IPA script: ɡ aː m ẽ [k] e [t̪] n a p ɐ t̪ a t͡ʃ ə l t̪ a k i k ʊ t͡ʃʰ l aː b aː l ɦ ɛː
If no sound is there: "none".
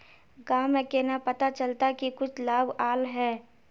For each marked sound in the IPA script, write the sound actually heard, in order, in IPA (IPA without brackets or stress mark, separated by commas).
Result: k, none